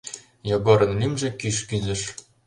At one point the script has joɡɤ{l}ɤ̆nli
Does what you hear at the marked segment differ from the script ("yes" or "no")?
yes